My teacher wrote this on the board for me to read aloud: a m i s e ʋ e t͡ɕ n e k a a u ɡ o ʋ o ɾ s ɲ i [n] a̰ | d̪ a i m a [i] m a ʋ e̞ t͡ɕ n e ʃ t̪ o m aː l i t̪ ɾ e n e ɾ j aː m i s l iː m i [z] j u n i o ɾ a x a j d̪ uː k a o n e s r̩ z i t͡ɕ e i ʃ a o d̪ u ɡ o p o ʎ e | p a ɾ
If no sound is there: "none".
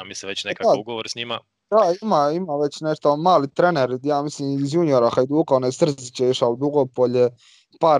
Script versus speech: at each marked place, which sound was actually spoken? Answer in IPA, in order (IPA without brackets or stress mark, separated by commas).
m, i, z